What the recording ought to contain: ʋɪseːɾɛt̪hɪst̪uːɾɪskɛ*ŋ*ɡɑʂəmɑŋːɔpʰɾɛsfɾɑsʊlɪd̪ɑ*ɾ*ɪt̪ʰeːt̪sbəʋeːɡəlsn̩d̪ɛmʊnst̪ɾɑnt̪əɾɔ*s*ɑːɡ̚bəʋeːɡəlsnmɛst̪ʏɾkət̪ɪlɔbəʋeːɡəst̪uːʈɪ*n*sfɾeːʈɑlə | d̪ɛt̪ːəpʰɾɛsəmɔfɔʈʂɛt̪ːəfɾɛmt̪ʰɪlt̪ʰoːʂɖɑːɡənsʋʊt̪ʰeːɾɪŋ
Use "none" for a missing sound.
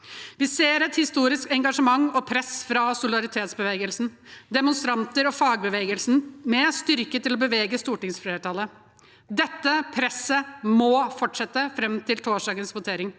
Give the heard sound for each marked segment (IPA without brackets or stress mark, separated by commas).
ŋ, ɾ, f, ŋ